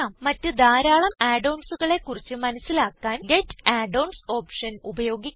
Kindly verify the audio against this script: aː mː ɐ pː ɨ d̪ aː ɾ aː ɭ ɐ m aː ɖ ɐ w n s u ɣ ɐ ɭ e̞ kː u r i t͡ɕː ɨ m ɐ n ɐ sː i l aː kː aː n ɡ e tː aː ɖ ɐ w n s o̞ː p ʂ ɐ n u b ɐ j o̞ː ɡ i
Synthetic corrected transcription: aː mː ɐ tː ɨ d̪ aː ɾ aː ɭ ɐ m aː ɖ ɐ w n s u ɣ ɐ ɭ e̞ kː u r i t͡ɕː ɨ m ɐ n ɐ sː i l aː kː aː n ɡ e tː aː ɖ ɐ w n s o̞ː p ʂ ɐ n u b ɐ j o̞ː ɡ i